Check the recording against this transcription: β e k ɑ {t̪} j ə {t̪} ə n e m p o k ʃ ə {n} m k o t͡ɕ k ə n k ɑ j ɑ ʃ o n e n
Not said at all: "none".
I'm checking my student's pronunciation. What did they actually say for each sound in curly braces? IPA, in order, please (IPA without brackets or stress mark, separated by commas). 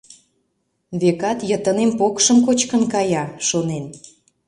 t̪, t̪, none